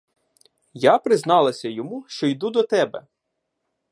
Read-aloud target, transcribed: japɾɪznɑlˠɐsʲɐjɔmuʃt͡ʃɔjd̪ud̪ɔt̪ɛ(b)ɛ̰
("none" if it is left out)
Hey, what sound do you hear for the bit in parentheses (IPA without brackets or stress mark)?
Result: b